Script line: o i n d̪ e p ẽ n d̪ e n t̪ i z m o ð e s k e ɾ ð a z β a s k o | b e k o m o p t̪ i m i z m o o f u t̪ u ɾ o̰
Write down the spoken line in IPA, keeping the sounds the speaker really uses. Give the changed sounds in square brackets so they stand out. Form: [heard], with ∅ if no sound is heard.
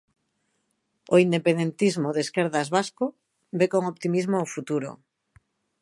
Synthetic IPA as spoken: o i n d̪ e p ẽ n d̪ e n t̪ i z m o ð e s k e ɾ ð a z β a s k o | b e k o [ŋ] o p t̪ i m i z m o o f u t̪ u ɾ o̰